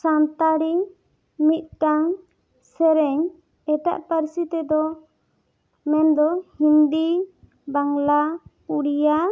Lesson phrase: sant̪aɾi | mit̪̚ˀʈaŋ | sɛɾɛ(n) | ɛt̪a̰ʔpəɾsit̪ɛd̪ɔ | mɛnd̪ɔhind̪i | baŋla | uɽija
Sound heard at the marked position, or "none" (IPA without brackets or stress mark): ɲ